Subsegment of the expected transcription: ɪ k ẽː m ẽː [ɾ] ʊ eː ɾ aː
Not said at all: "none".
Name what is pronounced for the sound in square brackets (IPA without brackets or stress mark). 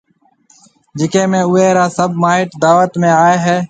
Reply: none